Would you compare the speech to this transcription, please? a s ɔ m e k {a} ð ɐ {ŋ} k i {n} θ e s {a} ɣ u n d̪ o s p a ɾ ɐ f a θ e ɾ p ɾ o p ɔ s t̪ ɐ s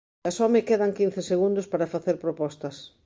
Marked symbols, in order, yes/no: no, yes, yes, no

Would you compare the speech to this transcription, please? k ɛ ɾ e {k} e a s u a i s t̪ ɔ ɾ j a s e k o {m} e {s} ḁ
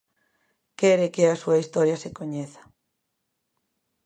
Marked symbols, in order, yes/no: yes, no, no

